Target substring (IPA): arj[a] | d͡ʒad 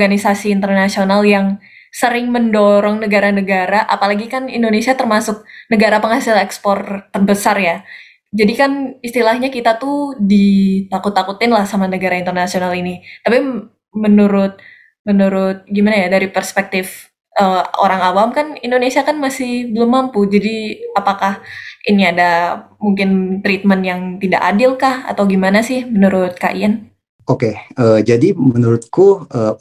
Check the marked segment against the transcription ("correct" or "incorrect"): correct